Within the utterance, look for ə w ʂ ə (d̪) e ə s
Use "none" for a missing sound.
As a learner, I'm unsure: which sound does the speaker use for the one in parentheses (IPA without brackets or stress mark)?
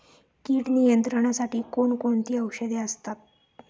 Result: d̪